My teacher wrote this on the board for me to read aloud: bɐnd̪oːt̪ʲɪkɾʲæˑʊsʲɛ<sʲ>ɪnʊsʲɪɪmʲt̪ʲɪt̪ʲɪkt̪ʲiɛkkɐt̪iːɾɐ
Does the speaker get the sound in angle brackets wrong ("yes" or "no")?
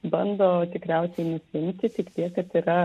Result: yes